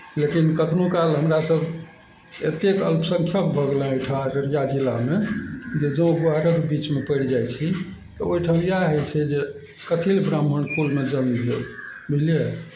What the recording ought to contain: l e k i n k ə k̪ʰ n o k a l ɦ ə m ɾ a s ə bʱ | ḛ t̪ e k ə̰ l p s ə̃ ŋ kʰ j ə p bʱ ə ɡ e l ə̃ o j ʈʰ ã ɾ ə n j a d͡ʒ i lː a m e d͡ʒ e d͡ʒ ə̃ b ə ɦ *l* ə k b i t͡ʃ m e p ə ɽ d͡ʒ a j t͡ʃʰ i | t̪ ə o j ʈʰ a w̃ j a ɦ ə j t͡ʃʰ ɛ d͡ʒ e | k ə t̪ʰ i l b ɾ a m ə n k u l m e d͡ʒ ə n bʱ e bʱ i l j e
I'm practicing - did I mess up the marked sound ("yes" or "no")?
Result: yes